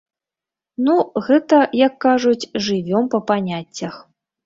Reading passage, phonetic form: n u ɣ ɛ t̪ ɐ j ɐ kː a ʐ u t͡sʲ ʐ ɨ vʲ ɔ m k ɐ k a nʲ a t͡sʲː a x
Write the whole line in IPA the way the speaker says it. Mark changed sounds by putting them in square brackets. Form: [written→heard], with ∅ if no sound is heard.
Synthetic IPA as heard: n u ɣ ɛ t̪ ɐ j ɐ kː a ʐ u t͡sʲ ʐ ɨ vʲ ɔ m [k→p] ɐ [k→p] a nʲ a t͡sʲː [a→ɐ] x